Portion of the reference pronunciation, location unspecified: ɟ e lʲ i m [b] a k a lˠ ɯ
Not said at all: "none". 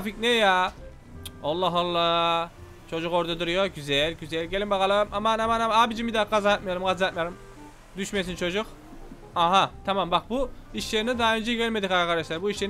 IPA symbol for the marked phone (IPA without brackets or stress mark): b